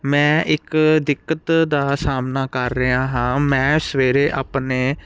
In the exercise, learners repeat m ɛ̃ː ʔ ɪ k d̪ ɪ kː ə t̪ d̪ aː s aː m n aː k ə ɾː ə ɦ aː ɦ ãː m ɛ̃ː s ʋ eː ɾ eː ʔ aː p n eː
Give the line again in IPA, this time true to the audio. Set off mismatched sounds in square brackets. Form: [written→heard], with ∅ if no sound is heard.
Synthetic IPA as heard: m ɛ̃ː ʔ ɪ k d̪ ɪ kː ə t̪ d̪ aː s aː m n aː k ə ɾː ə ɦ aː ɦ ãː m ɛ̃ː s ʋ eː ɾ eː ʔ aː p n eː

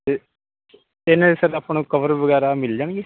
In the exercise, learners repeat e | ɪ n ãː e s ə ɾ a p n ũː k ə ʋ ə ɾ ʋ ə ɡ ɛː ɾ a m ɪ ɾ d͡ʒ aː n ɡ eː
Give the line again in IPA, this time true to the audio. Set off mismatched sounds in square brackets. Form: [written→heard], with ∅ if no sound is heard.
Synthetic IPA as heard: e | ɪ n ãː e s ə ɾ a p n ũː k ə ʋ ə ɾ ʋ ə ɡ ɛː ɾ a m ɪ [ɾ→l] d͡ʒ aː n ɡ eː

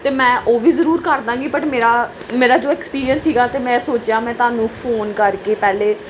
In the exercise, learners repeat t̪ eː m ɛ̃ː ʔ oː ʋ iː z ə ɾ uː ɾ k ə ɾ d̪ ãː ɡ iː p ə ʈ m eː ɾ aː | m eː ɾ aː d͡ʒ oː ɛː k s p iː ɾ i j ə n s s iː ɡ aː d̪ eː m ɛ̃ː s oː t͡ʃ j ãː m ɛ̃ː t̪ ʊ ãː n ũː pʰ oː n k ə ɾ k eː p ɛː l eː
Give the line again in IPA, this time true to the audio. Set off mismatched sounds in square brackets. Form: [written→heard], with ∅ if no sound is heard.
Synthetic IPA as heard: t̪ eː m ɛ̃ː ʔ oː ʋ iː z ə ɾ uː ɾ k ə ɾ d̪ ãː ɡ iː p ə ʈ m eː ɾ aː | m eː ɾ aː d͡ʒ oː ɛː k s p iː ɾ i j ə n s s iː ɡ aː [d̪→t̪] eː m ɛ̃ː s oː t͡ʃ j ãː m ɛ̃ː t̪ ʊ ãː n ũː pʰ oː n k ə ɾ k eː p ɛː l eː

